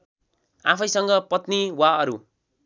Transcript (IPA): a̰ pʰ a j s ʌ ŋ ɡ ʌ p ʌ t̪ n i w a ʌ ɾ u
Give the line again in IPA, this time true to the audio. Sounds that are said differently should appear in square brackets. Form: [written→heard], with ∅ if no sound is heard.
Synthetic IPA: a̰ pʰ [a→ʌ] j s ʌ ŋ ɡ ʌ p ʌ t̪ n i w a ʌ ɾ u